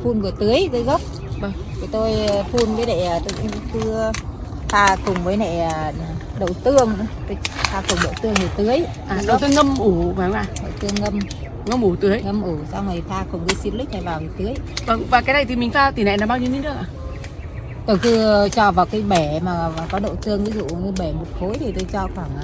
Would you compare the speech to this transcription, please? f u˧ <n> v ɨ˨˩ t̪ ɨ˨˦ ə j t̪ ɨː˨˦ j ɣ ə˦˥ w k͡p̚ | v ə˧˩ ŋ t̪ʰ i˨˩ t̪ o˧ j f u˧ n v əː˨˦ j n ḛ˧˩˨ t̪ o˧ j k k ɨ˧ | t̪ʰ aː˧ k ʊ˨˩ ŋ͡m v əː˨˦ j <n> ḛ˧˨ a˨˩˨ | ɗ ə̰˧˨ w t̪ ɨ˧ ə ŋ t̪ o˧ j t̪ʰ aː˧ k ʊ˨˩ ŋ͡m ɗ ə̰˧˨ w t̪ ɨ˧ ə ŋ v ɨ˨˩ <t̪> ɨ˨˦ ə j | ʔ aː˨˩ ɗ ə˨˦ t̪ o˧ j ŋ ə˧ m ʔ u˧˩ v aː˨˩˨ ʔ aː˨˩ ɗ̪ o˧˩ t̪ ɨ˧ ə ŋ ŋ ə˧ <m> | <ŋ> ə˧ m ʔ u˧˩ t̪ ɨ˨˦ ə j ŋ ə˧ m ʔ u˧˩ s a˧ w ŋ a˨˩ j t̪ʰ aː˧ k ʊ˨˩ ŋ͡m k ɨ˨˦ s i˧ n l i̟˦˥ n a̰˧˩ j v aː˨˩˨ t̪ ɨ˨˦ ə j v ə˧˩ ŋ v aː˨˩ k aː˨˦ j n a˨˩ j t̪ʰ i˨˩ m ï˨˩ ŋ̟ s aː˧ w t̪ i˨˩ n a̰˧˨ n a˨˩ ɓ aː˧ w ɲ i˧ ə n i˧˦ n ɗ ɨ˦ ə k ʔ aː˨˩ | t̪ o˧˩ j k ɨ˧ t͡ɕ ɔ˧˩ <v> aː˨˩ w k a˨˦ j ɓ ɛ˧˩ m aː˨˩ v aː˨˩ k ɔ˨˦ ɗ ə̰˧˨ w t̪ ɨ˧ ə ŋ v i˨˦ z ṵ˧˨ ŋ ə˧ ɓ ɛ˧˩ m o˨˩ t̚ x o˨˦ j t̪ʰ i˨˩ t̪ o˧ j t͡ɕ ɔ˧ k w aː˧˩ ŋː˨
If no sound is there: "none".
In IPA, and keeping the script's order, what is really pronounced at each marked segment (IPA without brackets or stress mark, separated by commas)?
n, n, t̪, m, ŋ, v